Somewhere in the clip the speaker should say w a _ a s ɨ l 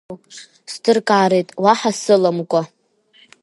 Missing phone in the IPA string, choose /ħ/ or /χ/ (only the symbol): ħ